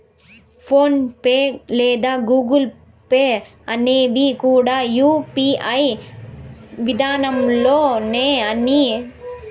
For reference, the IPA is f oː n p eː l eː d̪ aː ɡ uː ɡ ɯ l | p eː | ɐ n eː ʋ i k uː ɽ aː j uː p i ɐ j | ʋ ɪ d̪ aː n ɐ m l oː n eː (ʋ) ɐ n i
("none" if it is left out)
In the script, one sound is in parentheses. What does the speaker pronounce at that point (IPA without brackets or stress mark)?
none